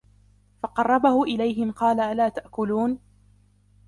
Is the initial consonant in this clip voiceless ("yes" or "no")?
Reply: yes